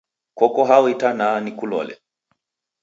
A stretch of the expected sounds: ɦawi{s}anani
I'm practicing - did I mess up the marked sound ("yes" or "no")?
yes